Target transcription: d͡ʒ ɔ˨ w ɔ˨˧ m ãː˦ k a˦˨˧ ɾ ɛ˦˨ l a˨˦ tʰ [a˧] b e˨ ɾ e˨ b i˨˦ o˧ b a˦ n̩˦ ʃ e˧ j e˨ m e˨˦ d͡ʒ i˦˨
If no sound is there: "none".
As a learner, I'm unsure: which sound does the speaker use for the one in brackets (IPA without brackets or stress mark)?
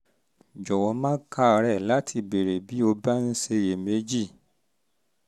i˧